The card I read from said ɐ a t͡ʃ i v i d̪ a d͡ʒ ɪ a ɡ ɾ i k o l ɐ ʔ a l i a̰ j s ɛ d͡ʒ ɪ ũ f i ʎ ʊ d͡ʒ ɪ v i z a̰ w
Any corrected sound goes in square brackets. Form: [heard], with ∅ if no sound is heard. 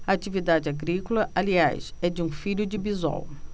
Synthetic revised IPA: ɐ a t͡ʃ i v i d̪ a d͡ʒ ɪ a ɡ ɾ i k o l ɐ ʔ a l i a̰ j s ɛ d͡ʒ ɪ ũ f i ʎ ʊ d͡ʒ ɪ [b] i z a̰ w